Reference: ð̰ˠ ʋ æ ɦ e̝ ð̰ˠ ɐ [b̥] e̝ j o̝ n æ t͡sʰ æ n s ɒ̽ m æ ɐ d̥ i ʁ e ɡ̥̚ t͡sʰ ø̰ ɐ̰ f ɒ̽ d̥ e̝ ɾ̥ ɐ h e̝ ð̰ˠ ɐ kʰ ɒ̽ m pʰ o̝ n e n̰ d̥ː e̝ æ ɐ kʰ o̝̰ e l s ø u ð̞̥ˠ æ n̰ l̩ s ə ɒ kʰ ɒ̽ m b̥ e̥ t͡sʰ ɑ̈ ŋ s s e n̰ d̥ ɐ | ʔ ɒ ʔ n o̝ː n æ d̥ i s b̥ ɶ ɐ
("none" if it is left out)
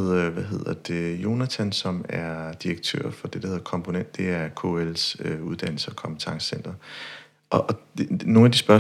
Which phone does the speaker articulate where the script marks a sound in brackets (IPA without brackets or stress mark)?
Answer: d̥